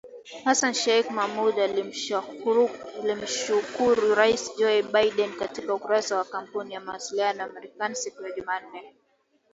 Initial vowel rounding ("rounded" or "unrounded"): unrounded